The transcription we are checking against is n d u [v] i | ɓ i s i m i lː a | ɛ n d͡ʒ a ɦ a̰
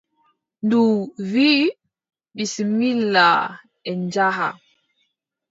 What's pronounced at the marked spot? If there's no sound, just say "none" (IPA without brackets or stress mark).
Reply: v